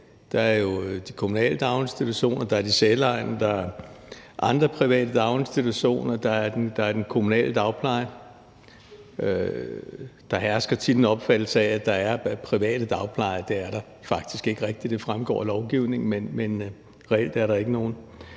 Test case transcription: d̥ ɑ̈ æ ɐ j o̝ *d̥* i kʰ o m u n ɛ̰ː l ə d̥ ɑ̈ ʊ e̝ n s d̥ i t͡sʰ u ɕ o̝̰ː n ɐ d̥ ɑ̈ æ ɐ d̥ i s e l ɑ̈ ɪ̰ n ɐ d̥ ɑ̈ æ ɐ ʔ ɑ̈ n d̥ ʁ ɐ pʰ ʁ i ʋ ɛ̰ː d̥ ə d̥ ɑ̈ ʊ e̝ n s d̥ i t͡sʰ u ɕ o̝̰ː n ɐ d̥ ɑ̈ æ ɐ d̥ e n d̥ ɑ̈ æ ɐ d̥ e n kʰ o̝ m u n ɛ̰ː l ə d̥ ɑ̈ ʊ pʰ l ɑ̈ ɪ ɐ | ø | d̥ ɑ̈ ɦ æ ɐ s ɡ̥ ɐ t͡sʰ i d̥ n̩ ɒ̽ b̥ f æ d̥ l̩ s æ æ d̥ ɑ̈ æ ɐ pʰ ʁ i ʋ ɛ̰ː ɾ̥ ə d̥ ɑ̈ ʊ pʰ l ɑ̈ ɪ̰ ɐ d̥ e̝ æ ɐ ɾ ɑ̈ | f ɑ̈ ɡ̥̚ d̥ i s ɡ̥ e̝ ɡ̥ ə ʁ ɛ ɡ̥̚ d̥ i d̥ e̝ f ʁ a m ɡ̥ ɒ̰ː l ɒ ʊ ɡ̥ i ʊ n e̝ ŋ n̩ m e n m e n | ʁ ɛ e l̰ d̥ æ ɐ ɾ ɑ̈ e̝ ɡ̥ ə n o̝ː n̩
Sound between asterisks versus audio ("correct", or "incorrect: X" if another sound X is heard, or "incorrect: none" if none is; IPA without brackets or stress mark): correct